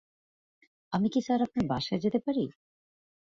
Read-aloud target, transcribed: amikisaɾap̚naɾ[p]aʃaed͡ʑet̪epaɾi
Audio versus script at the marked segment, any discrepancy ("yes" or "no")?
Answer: yes